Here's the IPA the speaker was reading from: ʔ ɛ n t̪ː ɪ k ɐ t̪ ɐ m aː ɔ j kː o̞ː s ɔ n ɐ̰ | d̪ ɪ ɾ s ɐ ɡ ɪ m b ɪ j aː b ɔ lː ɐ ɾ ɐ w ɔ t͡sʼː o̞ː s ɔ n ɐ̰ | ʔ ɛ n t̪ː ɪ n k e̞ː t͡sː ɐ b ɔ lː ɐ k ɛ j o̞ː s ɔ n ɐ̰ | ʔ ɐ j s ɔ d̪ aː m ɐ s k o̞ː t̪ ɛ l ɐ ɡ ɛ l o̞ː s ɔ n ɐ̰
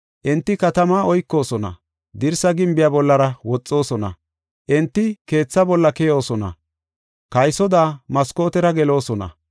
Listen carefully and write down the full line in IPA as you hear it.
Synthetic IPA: ʔ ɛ n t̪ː ɪ k ɐ t̪ ɐ m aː ɔ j kː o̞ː s ɔ n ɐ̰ | d̪ ɪ ɾ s ɐ ɡ ɪ m b ɪ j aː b ɔ lː ɐ ɾ ɐ w ɔ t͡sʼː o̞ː s ɔ n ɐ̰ | ʔ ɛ n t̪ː ɪ k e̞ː t͡sː ɐ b ɔ lː ɐ k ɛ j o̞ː s ɔ n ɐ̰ | k ɐ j s ɔ d̪ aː m ɐ s k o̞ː t̪ ɛ ɾ ɐ ɡ ɛ l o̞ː s ɔ n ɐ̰